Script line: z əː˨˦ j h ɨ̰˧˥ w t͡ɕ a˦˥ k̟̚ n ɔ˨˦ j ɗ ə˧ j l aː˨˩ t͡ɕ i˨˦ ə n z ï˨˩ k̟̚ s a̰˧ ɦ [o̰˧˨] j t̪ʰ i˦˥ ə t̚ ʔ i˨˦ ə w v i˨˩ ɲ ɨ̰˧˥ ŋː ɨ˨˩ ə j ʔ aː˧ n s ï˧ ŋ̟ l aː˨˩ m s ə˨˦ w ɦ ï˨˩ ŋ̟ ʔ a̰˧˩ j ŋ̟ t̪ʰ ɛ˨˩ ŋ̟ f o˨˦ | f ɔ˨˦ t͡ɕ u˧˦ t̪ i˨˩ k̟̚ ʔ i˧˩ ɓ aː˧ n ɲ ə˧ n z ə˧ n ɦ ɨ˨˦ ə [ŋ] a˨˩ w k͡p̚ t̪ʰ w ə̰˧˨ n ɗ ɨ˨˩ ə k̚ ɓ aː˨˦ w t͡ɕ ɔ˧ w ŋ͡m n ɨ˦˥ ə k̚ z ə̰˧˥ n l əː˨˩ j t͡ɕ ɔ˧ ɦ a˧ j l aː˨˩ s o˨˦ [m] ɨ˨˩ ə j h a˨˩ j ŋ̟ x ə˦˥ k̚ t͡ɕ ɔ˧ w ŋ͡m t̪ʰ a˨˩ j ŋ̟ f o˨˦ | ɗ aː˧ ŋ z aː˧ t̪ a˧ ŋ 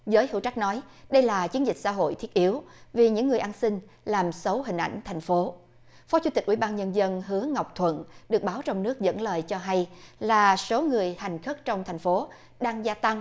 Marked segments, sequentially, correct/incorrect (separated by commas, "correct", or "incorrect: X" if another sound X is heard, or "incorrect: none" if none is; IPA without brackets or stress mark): correct, correct, incorrect: ŋ